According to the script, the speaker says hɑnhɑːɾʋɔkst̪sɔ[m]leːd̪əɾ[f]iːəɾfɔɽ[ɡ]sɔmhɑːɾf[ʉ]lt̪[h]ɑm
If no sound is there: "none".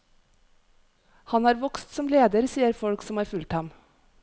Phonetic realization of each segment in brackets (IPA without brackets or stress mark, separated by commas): m, s, k, ʉ, h